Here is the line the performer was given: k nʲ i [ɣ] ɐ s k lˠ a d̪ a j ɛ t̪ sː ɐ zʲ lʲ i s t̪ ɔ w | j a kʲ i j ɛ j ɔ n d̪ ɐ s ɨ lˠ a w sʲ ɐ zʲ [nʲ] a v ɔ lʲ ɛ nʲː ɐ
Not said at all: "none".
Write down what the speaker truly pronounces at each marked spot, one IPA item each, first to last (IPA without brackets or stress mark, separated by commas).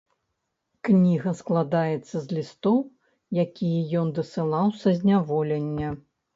ɣ, nʲ